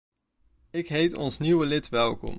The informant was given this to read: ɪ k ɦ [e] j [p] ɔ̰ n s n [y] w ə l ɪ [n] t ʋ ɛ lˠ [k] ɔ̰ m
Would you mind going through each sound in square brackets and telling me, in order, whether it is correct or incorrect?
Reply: correct, incorrect, incorrect, incorrect, correct

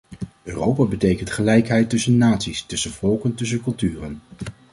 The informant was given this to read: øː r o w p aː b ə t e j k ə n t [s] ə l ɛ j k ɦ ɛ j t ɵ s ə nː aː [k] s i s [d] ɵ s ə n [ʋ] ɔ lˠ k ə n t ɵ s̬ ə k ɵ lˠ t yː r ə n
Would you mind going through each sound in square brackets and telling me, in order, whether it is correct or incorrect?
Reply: incorrect, incorrect, incorrect, incorrect

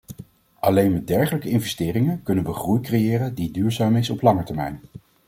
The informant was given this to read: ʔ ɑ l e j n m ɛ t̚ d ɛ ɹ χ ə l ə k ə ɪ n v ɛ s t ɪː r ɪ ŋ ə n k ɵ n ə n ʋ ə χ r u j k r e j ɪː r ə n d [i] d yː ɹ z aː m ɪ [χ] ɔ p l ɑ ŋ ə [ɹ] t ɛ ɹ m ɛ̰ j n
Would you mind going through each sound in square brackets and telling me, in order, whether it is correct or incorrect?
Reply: correct, incorrect, correct

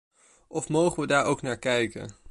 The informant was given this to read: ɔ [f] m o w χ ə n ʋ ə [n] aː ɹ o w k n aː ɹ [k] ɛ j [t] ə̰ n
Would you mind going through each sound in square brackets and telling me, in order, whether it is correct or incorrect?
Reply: correct, incorrect, correct, incorrect

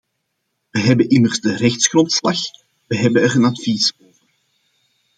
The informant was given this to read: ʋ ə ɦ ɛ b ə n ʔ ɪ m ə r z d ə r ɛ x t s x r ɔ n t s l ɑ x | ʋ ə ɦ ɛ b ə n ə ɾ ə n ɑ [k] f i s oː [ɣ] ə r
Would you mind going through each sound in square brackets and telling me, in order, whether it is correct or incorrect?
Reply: incorrect, incorrect

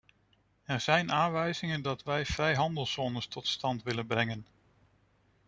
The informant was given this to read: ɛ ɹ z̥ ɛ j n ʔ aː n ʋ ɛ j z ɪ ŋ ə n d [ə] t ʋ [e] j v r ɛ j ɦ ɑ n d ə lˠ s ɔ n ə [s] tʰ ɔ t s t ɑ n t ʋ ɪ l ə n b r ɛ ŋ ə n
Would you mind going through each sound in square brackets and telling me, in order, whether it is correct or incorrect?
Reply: incorrect, incorrect, correct

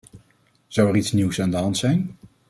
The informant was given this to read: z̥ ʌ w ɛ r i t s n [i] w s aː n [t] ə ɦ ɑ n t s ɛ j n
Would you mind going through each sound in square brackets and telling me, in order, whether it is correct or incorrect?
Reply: correct, incorrect

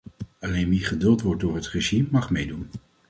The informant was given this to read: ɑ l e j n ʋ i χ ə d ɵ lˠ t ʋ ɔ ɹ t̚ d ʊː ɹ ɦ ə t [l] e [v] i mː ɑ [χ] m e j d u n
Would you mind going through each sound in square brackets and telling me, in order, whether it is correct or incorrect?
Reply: incorrect, incorrect, correct

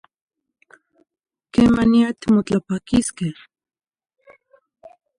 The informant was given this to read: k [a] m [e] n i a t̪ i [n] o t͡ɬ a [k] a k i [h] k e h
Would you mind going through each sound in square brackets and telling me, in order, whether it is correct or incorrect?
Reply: incorrect, incorrect, incorrect, incorrect, incorrect

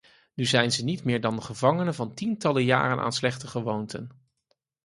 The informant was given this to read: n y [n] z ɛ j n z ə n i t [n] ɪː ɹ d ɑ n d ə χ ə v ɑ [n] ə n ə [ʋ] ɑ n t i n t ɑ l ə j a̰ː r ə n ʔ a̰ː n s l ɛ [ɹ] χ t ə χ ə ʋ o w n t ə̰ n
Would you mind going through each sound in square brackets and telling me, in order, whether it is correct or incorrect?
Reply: incorrect, incorrect, incorrect, incorrect, incorrect

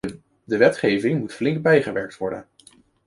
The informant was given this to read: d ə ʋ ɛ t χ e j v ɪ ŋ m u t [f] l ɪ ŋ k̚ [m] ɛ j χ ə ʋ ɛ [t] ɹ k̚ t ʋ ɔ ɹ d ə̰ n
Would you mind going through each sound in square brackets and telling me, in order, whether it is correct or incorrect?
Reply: correct, incorrect, incorrect

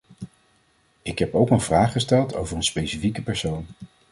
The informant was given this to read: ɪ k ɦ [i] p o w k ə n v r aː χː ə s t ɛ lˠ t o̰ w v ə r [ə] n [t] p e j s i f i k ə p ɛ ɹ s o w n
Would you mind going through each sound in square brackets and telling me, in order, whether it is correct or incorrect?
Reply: incorrect, correct, incorrect

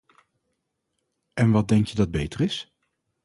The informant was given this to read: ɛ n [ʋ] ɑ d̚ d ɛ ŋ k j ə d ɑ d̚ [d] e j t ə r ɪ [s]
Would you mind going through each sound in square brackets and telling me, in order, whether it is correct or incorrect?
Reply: correct, incorrect, correct

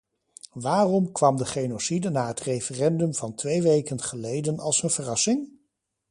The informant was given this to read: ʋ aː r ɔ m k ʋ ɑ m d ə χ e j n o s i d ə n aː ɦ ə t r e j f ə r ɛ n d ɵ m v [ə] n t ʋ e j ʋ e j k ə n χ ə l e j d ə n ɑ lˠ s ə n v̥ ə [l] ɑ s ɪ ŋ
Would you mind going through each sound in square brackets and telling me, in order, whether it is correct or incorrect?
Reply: incorrect, incorrect

